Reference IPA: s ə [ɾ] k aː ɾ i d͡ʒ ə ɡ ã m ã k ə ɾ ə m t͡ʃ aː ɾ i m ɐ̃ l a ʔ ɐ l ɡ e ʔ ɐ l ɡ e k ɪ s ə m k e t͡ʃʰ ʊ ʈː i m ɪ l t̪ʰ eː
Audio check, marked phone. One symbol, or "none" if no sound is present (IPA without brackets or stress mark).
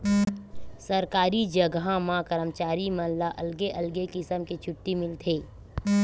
ɾ